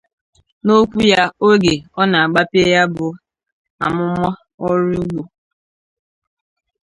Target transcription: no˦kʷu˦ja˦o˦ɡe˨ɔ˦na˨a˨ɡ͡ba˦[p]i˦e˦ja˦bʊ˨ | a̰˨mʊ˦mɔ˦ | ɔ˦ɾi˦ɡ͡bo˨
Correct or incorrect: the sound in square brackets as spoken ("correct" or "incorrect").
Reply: correct